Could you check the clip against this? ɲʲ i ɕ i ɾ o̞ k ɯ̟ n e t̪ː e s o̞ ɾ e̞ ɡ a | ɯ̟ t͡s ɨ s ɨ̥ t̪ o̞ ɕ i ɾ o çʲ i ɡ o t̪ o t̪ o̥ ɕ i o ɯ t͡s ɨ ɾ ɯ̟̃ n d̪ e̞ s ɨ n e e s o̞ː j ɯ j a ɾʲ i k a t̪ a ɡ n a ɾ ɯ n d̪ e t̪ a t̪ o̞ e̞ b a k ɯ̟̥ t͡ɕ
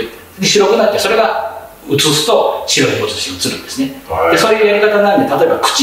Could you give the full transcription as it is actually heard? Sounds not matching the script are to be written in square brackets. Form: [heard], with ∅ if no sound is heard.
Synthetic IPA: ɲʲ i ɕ i ɾ o̞ k ɯ̟ n [a] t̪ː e s o̞ ɾ e̞ ɡ a | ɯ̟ t͡s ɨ s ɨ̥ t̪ o̞ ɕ i ɾ o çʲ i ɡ o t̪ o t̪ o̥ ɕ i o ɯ t͡s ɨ ɾ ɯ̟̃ n d̪ e̞ s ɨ n e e s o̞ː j ɯ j a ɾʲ i k a t̪ a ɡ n a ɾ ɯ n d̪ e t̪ a t̪ o̞ e̞ b a k ɯ̟̥ t͡ɕ

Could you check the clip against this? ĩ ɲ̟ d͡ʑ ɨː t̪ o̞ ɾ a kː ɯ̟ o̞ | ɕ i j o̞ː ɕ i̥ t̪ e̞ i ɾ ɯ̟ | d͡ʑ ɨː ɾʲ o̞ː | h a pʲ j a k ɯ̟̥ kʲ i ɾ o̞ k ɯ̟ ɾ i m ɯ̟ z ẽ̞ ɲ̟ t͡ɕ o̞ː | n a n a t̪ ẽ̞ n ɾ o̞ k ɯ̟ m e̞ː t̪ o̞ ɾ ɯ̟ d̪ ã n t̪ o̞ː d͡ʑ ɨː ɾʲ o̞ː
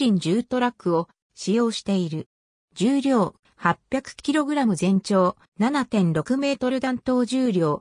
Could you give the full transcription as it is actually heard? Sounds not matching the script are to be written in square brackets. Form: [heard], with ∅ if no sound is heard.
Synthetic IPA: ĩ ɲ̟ d͡ʑ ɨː t̪ o̞ ɾ a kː ɯ̟ o̞ | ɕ i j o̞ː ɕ i̥ t̪ e̞ i ɾ ɯ̟ | d͡ʑ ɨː ɾʲ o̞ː | h a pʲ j a k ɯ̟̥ kʲ i ɾ o̞ [ɡ] ɯ̟ ɾ [a] m ɯ̟ z ẽ̞ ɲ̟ t͡ɕ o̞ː | n a n a t̪ ẽ̞ n ɾ o̞ k ɯ̟ m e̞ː t̪ o̞ ɾ ɯ̟ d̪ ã n t̪ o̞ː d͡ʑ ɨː ɾʲ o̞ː

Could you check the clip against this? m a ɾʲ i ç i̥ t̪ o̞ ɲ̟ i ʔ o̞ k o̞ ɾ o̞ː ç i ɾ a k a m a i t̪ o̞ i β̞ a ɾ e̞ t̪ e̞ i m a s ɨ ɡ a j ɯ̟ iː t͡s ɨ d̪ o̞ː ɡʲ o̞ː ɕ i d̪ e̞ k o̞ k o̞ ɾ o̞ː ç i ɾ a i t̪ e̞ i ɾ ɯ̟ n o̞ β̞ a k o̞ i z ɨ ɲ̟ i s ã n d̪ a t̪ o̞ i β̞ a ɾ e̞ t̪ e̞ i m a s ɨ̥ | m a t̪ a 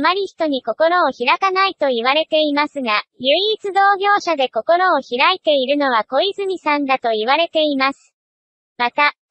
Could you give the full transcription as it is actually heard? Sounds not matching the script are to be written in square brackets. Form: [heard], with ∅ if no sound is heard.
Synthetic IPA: m a ɾʲ i ç i̥ t̪ o̞ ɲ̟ i [k] o̞ k o̞ ɾ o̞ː ç i ɾ a k a [n] a i t̪ o̞ i β̞ a ɾ e̞ t̪ e̞ i m a s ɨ ɡ a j ɯ̟ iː t͡s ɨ d̪ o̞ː ɡʲ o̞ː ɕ [a] d̪ e̞ k o̞ k o̞ ɾ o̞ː ç i ɾ a i t̪ e̞ i ɾ ɯ̟ n o̞ β̞ a k o̞ i z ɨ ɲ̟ i s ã n d̪ a t̪ o̞ i β̞ a ɾ e̞ t̪ e̞ i m a s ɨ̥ | m a t̪ a

